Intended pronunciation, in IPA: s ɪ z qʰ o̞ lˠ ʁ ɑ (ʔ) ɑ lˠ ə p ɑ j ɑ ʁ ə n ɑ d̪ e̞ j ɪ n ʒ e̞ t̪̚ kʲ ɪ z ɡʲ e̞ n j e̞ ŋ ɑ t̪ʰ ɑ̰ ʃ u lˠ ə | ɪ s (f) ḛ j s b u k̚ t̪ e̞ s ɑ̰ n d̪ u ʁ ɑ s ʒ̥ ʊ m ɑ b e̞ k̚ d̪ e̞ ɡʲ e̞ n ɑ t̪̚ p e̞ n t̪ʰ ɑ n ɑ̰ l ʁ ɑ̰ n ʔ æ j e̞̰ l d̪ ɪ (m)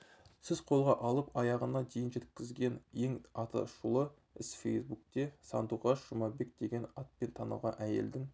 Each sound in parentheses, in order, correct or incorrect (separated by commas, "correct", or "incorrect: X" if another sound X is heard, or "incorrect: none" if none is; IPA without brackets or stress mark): correct, correct, incorrect: ŋ